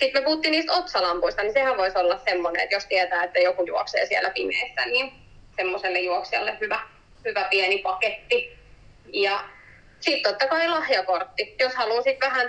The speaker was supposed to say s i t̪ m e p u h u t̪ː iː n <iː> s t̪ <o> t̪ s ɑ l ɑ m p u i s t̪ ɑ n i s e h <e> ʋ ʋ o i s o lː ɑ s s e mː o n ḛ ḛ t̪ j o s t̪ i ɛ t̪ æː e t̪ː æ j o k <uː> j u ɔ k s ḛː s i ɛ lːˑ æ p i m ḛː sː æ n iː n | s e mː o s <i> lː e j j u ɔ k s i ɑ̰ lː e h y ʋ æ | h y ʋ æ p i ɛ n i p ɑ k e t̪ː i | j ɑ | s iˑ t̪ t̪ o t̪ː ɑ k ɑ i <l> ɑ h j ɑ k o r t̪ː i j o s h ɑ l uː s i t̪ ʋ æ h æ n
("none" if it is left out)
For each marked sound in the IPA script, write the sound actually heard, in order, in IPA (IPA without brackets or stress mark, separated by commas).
iː, o, æ, u, e, l